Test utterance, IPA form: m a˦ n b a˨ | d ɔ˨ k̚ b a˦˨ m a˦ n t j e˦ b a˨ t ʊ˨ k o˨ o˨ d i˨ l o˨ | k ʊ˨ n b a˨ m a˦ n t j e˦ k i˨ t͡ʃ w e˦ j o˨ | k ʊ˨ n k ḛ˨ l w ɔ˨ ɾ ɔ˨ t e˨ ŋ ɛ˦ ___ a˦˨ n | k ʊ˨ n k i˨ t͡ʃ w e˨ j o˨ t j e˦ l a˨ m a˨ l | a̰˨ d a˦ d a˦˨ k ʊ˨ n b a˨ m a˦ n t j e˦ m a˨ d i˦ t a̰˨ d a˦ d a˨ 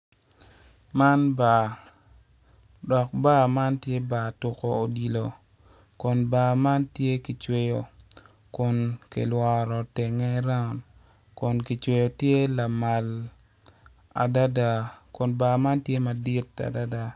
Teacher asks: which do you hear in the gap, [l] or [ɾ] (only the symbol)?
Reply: ɾ